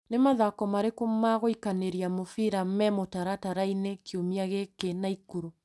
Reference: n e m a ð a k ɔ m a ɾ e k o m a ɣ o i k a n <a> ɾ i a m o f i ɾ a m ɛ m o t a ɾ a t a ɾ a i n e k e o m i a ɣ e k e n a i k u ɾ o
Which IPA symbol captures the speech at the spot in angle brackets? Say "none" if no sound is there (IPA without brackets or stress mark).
e